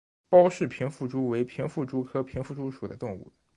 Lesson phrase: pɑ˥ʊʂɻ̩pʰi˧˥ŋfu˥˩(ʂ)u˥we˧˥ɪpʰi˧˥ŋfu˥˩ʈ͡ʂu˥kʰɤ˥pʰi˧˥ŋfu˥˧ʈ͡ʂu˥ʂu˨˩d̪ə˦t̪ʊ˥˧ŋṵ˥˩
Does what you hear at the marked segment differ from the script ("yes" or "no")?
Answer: yes